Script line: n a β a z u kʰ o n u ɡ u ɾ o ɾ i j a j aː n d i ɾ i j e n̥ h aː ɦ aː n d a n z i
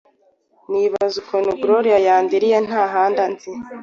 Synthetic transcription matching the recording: n i β a z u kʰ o n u ɡ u ɾ o ɾ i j a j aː n d i ɾ i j e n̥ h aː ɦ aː n d a n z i